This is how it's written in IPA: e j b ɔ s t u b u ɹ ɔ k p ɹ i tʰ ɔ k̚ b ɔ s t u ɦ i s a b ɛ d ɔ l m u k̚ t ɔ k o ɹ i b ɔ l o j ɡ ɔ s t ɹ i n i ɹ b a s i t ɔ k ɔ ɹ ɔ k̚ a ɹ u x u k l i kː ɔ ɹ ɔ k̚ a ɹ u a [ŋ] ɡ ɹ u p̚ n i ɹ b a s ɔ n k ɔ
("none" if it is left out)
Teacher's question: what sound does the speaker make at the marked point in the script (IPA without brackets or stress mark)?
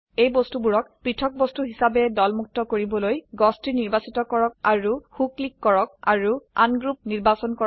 n